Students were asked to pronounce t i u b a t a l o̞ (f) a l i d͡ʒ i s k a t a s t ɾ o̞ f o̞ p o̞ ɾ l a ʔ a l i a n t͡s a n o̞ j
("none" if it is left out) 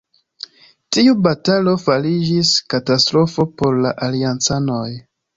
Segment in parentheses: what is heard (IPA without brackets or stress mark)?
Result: f